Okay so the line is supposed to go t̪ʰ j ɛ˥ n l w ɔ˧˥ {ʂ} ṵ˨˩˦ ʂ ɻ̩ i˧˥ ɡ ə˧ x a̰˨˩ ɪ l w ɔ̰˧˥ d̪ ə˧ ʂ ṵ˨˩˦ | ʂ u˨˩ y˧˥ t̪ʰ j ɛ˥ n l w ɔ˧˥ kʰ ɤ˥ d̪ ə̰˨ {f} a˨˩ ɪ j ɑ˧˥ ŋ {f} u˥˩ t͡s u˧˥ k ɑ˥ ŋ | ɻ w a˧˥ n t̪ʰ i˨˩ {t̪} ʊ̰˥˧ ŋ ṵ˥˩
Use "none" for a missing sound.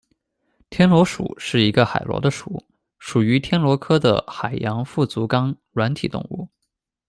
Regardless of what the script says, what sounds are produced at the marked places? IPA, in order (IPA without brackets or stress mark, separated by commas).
ʂ, x, f, t̪